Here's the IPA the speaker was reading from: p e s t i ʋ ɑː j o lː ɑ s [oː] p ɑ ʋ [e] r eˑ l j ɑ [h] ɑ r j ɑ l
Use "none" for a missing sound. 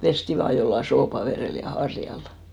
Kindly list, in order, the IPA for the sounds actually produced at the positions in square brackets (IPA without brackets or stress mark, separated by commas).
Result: oː, e, h